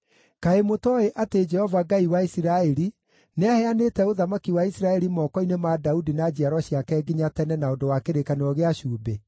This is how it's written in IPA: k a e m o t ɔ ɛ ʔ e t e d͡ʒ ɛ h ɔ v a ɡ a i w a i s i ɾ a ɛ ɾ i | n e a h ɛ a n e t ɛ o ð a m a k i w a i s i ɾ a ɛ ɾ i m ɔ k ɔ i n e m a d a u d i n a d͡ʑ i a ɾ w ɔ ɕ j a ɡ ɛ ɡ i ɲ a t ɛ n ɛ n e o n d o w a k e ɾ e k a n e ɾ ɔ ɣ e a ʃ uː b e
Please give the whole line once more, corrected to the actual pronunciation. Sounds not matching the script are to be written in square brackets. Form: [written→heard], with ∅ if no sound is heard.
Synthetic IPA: k a e m o t ɔ [ɛ→e] ʔ [e→a] t e d͡ʒ ɛ h ɔ v a ɡ a i w a i s i ɾ a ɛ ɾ i | n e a h ɛ a n e t ɛ o ð a m a k i w a i s i ɾ a ɛ ɾ i m ɔ k ɔ i n e m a d a u d i n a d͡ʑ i a ɾ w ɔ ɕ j a [ɡ→k] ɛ ɡ i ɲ a t ɛ n ɛ n [e→a] o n d o w a k e ɾ e k a n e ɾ ɔ ɣ e a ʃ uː b e

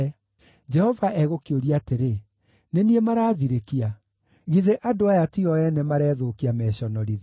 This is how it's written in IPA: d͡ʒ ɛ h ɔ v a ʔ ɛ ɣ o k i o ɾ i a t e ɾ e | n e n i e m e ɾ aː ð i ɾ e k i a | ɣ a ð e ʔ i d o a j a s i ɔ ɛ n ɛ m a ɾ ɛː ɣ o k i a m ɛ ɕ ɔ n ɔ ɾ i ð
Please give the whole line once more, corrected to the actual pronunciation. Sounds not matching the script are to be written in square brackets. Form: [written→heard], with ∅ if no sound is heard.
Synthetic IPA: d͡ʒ ɛ h ɔ v a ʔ ɛ ɣ o k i o ɾ i a t e ɾ e | n e n i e m [e→a] ɾ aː ð i ɾ e k i a | ɣ [a→i] ð e ʔ [i→a] d o a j a [s→t] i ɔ ɛ n ɛ m a ɾ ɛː [ɣ→ð] o k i a m ɛ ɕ ɔ n ɔ ɾ i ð

